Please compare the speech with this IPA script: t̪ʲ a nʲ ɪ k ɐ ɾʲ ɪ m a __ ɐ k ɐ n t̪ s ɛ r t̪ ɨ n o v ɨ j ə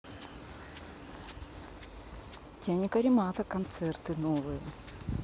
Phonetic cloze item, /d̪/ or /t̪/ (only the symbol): t̪